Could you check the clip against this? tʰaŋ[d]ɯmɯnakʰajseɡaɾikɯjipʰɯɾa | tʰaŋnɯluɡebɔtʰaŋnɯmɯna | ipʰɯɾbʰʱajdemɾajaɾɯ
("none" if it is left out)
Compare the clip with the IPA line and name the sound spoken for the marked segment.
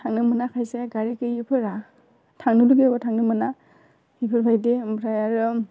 n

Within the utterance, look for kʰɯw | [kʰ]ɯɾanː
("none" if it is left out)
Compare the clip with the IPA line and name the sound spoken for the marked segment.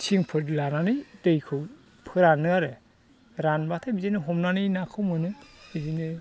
pʰ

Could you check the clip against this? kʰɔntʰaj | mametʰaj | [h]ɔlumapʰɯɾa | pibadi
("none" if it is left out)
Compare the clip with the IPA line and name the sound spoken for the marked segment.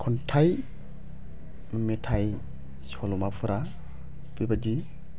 s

